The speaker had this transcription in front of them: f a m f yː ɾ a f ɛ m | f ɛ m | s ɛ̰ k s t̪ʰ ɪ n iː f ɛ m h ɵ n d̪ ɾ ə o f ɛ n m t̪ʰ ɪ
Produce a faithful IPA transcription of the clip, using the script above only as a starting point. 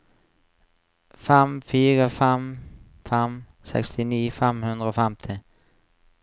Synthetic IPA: f ɛ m f yː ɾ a f ɛ m | f ɛ m | s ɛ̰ k s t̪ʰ ɪ n iː f ɛ m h ɵ n d̪ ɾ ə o f ɛ m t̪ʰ ɪ